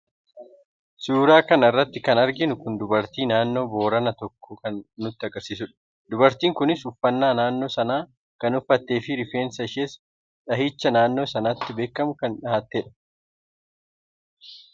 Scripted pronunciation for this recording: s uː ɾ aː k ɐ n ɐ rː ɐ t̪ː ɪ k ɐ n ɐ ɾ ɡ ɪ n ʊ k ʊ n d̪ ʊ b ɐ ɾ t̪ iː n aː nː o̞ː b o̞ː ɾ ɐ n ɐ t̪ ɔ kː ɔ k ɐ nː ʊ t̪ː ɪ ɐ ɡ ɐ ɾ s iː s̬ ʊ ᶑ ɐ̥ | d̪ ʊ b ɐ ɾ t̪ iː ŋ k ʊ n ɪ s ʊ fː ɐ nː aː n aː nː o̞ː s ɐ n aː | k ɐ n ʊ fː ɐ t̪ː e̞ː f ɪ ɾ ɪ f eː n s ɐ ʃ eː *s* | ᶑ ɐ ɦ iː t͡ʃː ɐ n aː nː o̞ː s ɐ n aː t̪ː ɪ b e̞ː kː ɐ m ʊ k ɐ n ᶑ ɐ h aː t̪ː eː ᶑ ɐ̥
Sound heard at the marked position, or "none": s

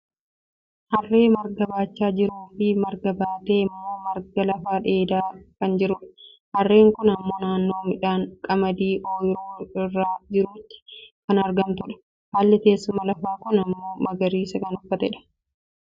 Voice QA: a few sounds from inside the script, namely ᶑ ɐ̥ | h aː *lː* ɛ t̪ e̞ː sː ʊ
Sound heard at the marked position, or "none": lː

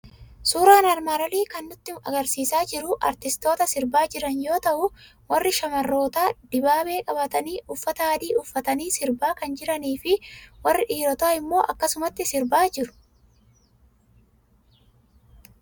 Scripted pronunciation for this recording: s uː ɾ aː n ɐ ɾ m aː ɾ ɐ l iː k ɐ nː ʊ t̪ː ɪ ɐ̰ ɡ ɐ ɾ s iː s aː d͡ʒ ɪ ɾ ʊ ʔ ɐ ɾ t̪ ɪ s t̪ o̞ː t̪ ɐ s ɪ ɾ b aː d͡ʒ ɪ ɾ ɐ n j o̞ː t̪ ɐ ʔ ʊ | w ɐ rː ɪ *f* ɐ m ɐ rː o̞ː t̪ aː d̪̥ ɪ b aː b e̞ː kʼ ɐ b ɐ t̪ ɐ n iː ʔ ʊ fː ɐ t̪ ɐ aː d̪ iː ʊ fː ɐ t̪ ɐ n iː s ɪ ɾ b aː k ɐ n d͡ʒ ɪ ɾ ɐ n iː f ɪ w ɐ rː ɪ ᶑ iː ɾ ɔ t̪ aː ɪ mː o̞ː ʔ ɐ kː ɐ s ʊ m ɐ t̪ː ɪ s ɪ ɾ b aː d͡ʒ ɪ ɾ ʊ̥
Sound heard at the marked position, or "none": ʃ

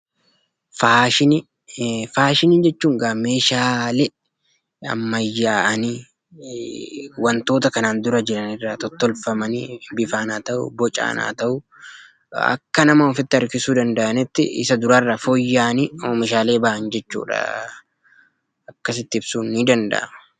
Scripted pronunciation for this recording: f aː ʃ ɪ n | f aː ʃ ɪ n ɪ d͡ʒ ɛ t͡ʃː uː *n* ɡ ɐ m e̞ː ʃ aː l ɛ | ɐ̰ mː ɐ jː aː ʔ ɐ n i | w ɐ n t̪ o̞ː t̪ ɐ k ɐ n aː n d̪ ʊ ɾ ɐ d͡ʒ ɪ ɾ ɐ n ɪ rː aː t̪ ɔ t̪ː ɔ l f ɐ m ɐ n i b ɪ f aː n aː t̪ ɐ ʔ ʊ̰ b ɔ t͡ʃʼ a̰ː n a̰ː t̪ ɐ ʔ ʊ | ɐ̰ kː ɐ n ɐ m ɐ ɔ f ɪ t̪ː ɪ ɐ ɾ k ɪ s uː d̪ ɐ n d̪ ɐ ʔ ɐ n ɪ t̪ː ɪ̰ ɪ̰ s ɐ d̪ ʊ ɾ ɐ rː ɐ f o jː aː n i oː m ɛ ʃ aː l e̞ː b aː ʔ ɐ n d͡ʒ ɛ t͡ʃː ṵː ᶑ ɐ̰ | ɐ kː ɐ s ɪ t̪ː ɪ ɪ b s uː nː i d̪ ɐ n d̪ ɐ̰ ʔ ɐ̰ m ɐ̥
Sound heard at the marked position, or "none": ŋ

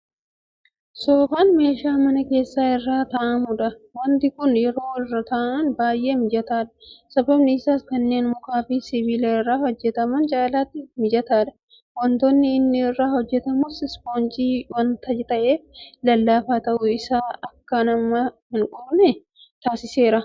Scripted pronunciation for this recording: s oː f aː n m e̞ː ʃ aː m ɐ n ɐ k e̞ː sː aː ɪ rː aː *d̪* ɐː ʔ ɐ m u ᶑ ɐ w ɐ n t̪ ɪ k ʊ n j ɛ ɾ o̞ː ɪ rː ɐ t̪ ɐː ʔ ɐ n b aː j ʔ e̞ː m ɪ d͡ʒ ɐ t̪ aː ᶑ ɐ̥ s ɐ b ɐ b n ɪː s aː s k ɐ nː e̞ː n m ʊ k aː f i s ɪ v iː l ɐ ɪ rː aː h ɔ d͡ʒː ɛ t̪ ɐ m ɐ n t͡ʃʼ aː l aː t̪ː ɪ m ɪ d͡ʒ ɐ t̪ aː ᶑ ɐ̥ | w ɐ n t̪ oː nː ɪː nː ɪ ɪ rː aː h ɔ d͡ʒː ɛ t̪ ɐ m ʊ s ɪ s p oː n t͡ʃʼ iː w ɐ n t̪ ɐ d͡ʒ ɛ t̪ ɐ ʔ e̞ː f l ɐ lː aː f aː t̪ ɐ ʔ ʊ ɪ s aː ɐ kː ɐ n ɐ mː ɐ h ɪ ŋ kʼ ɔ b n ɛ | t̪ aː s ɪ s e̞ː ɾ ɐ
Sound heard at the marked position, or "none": t̪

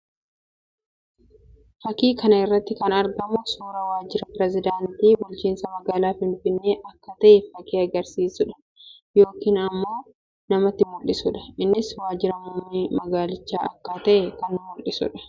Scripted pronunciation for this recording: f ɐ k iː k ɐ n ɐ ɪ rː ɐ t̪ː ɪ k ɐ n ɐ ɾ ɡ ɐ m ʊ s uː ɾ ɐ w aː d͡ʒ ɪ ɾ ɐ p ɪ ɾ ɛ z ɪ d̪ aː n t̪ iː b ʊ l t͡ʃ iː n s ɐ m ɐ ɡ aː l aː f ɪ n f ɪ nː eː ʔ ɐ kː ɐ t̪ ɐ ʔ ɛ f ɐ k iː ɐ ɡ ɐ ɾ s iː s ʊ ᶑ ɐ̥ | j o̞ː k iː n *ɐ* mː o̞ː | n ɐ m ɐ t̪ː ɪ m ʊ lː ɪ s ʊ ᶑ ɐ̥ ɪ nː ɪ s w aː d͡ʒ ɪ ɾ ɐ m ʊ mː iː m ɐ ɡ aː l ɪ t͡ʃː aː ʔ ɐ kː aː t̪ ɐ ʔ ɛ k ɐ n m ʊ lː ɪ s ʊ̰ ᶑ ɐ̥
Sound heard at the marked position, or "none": ɐ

